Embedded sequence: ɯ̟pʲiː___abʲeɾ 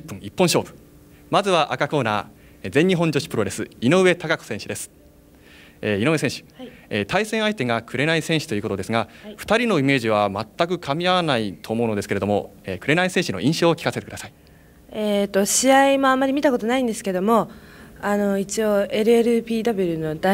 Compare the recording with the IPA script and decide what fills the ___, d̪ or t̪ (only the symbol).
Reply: d̪